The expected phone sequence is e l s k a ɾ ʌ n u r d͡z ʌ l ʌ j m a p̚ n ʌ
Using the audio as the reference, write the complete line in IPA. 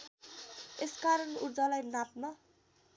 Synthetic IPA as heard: e s k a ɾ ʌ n u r d͡z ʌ l a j n a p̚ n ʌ